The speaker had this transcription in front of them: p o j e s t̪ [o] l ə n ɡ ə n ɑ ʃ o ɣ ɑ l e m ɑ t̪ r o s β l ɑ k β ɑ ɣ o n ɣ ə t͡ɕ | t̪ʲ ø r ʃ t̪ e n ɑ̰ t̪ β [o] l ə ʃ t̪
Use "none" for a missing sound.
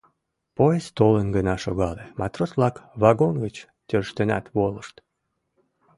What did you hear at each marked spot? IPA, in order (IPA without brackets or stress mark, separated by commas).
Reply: o, o